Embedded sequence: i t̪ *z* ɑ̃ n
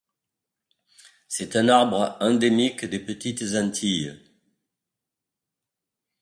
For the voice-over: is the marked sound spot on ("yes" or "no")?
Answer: yes